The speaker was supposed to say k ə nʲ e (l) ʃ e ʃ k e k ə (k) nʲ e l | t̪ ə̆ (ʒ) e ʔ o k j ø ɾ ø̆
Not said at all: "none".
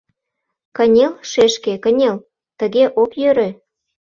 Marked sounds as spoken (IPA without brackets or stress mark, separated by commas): l, none, ɣ